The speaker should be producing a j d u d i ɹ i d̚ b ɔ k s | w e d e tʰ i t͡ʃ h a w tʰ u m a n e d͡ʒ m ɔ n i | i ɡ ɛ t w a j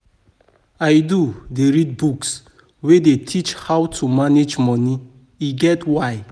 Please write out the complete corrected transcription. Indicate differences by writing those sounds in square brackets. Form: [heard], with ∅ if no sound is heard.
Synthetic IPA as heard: a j d u d [e] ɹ i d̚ b [u] k s | w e d e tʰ i t͡ʃ h a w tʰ u m a n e d͡ʒ m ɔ n i | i ɡ ɛ t w a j